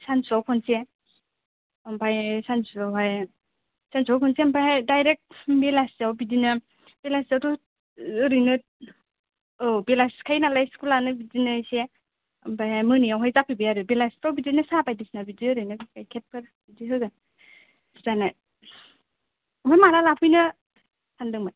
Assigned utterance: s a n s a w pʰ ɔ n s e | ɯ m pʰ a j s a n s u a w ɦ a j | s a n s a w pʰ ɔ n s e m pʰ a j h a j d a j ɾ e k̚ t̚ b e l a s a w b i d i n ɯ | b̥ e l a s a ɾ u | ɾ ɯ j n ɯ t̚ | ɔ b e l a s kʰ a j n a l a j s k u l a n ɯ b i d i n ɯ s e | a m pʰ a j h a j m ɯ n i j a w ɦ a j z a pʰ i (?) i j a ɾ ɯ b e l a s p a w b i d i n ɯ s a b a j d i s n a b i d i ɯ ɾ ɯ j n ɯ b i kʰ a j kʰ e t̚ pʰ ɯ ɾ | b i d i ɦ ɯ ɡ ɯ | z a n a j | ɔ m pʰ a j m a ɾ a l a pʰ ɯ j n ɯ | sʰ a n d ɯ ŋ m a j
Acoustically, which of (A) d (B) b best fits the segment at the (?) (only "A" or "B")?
B